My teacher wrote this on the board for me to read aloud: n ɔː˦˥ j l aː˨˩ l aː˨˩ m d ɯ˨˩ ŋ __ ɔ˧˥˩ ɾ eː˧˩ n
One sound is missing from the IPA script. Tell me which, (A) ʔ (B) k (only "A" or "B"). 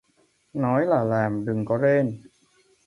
B